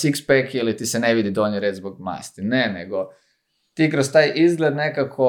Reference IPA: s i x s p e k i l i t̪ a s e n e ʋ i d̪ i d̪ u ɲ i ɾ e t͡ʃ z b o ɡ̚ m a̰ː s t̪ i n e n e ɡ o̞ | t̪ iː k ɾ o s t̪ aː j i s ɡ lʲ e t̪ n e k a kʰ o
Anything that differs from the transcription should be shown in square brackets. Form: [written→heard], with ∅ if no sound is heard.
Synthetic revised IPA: s i [x→k] s p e k i l i t̪ [a→i] s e n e ʋ i d̪ i d̪ [u→o] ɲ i ɾ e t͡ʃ z b o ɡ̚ m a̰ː s t̪ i n e n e ɡ o̞ | t̪ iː k ɾ o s t̪ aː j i [s→z] ɡ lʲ e [t̪→d̪] n e k a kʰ o